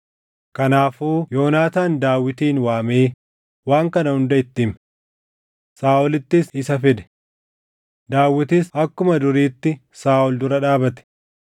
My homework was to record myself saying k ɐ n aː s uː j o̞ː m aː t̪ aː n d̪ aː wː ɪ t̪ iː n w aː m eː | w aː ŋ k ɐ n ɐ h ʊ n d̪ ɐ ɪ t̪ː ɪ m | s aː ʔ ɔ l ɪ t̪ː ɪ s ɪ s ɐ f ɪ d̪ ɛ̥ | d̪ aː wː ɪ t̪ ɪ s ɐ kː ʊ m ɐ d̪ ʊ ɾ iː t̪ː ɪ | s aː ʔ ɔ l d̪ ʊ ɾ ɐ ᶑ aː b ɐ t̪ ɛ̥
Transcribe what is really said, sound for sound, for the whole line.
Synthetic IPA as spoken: k ɐ n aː f uː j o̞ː n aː t̪ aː n d̪ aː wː ɪ t̪ iː n w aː m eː | w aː ŋ k ɐ n ɐ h ʊ n d̪ ɐ ɪ t̪ː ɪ m | s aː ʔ ɔ l ɪ t̪ː ɪ s ɪ s ɐ f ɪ d̪ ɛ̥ | d̪ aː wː ɪ t̪ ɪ s ɐ kː ʊ m ɐ d̪ ʊ ɾ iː t̪ː ɪ | s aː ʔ ɔ l d̪ ʊ ɾ ɐ ᶑ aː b ɐ t̪ ɛ̥